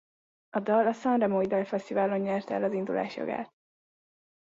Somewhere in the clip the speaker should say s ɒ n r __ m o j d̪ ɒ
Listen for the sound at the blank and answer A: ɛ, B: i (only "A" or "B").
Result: A